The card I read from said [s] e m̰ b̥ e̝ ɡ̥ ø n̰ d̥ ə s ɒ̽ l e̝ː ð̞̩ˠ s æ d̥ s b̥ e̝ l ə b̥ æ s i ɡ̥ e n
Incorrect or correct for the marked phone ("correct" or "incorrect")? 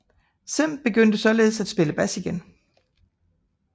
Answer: correct